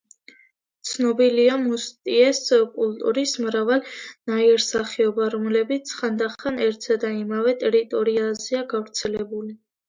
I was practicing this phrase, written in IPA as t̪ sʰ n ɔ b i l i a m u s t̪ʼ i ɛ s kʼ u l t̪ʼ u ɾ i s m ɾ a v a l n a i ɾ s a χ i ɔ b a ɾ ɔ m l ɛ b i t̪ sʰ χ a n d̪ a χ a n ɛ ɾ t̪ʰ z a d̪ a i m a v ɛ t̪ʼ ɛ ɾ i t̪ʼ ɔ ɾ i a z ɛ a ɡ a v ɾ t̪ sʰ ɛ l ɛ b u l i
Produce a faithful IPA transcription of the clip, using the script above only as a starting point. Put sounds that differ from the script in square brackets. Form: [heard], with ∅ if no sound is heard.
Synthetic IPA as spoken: t̪ sʰ n ɔ b i l i a m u s t̪ʼ i ɛ s kʼ u l t̪ʼ u ɾ i s m ɾ a v a l n a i ɾ s a χ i ɔ b a ɾ ɔ m l ɛ b i t̪ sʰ χ a n d̪ a χ a n ɛ ɾ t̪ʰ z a d̪ a i m a v ɛ t̪ʼ ɛ ɾ i t̪ʼ ɔ ɾ i a z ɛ a ɡ a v ɾ t̪ sʰ ɛ l ɛ b u l i

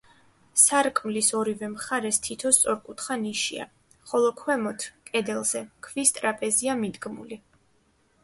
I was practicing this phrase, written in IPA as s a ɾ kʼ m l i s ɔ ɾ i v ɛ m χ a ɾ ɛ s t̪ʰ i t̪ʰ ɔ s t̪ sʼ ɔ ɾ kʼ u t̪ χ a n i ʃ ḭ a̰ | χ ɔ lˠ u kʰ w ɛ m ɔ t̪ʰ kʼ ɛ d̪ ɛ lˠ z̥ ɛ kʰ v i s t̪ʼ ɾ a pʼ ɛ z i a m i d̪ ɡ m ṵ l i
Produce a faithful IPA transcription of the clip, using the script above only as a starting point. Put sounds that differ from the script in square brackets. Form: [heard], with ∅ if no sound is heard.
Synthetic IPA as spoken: s a ɾ kʼ m l i s ɔ ɾ i v ɛ m χ a ɾ ɛ s t̪ʰ i t̪ʰ ɔ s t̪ sʼ ɔ ɾ kʼ u t̪ χ a n i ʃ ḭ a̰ | χ ɔ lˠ [ɔ] kʰ w ɛ m ɔ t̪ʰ kʼ ɛ d̪ ɛ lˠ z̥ ɛ kʰ v i s t̪ʼ ɾ a pʼ ɛ z i a m i d̪ ɡ m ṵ l i

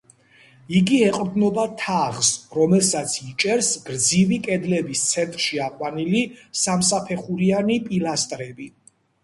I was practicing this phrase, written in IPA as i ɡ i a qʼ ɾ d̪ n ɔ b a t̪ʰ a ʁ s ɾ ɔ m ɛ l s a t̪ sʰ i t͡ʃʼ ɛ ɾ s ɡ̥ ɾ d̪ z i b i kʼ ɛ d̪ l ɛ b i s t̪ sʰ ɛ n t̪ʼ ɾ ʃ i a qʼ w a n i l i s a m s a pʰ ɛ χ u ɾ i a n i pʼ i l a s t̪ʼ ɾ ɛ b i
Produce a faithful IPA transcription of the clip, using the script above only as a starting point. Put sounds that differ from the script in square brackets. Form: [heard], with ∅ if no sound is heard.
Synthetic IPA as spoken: i ɡ i [ɛ] qʼ ɾ d̪ n ɔ b a t̪ʰ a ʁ s ɾ ɔ m ɛ l s a t̪ sʰ i t͡ʃʼ ɛ ɾ s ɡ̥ ɾ d̪ z i [v] i kʼ ɛ d̪ l ɛ b i s t̪ sʰ ɛ n t̪ʼ ɾ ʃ i a qʼ w a n i l i s a m s a pʰ ɛ χ u ɾ i a n i pʼ i l a s t̪ʼ ɾ ɛ b i

